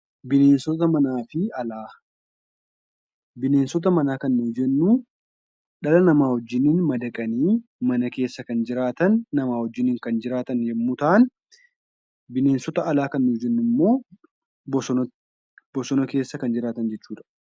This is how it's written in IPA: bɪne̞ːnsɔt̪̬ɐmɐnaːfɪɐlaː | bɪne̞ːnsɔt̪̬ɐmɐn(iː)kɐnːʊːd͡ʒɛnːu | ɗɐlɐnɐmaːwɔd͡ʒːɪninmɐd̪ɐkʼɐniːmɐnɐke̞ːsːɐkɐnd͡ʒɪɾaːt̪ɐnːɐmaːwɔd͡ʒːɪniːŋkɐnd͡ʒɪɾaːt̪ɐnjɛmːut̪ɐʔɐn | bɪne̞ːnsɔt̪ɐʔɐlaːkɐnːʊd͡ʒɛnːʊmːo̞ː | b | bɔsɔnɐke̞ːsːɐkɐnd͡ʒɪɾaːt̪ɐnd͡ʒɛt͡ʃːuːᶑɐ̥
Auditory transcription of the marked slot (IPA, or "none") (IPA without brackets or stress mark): aː